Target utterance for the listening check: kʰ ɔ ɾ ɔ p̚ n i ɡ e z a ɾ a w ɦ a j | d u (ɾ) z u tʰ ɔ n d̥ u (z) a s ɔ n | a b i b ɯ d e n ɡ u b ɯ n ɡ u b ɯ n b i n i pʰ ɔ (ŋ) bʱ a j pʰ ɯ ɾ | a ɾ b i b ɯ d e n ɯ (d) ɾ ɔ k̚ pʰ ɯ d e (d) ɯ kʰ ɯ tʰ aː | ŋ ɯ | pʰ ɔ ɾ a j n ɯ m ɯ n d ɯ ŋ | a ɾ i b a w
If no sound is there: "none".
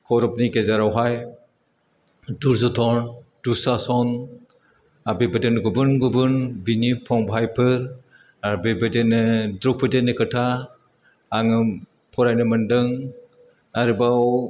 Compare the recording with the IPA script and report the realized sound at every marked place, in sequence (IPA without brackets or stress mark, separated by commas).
ɾ, s, ŋ, d, n